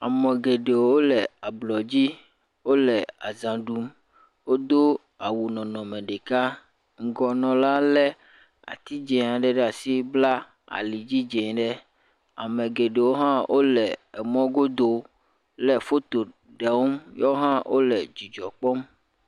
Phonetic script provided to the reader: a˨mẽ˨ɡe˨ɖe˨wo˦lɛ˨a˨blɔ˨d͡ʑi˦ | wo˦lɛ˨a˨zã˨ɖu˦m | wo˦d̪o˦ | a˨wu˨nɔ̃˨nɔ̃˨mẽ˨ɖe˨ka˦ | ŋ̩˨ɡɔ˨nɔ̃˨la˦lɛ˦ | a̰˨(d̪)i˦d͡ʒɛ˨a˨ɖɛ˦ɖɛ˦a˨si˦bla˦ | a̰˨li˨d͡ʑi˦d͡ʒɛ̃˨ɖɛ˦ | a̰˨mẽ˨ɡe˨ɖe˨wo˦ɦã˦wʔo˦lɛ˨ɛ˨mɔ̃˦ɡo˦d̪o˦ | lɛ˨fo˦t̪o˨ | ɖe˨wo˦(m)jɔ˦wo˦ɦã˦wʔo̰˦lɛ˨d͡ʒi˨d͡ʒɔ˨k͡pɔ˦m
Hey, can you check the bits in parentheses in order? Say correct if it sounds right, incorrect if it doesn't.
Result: incorrect: t̪, correct

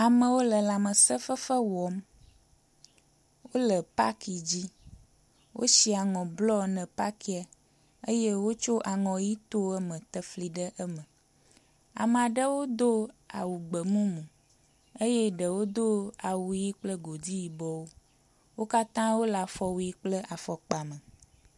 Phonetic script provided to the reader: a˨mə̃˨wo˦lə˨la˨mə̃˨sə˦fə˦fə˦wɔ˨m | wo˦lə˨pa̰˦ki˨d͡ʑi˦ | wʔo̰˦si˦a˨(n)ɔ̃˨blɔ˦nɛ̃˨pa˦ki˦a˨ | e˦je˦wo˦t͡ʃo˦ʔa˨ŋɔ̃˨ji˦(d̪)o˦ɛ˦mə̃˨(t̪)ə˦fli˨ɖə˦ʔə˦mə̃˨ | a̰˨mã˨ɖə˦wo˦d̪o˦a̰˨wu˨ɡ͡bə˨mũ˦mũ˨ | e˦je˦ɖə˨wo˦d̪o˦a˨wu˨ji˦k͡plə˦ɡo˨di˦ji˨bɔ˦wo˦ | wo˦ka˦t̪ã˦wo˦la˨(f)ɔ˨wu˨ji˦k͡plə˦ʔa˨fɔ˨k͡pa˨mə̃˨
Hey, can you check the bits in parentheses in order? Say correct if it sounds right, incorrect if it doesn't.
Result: incorrect: ŋ, incorrect: t̪, correct, correct

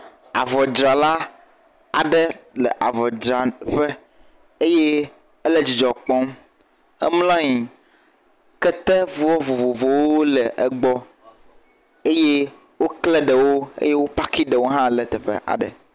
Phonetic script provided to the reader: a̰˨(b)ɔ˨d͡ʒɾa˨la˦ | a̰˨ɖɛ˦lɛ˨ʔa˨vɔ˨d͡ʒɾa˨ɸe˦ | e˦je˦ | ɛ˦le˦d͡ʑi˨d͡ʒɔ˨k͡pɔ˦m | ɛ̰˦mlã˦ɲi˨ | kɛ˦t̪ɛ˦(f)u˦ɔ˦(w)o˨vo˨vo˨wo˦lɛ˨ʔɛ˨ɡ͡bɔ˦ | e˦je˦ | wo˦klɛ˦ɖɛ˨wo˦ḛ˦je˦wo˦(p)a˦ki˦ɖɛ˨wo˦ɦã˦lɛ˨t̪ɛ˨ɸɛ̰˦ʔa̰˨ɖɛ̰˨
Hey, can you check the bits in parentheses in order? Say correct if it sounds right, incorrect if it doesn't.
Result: incorrect: v, incorrect: v, incorrect: v, correct

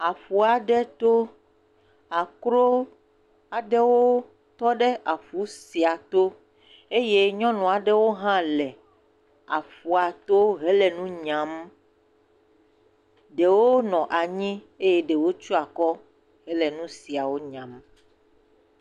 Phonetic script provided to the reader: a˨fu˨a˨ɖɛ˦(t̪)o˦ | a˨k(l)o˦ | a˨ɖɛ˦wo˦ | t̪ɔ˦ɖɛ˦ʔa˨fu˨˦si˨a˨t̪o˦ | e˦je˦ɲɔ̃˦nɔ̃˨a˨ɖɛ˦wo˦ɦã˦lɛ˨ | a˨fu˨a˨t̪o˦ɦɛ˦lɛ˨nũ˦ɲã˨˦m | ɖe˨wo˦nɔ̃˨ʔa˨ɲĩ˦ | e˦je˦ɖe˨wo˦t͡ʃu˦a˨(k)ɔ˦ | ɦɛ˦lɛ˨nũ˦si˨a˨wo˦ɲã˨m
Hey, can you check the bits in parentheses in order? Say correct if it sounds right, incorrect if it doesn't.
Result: correct, incorrect: ɾ, correct

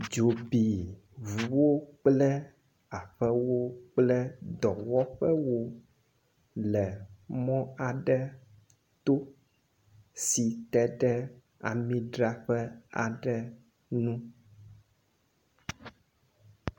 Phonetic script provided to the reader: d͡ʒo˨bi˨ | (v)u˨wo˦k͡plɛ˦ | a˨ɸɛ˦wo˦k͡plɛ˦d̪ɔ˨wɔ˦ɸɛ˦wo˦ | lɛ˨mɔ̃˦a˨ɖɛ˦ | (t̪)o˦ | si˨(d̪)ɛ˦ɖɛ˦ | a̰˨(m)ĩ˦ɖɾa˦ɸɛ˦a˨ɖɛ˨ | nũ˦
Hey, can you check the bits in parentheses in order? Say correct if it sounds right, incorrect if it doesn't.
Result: correct, correct, incorrect: t̪, correct

